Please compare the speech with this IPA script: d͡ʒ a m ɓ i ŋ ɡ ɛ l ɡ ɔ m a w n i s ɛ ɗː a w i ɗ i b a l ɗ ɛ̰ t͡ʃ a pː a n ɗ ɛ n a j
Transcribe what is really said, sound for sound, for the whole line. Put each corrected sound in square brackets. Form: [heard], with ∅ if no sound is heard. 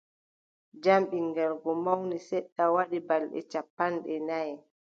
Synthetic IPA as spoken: d͡ʒ a m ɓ i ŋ ɡ ɛ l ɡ ɔ m a w n i s ɛ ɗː a w [a] ɗ i b a l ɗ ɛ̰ t͡ʃ a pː a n ɗ ɛ n a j